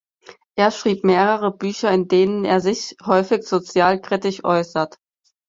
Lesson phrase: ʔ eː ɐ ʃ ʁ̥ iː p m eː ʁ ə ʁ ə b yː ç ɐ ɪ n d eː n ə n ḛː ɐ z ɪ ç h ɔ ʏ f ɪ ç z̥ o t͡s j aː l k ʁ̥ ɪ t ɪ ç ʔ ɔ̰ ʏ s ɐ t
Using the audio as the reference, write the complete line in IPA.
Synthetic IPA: ʔ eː ɐ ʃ ʁ̥ iː p m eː ʁ ə ʁ ə b yː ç ɐ ɪ n d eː n ə n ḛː ɐ z ɪ ç h ɔ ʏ f ɪ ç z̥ o t͡s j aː l k ʁ̥ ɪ t ɪ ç ʔ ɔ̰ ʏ s ɐ t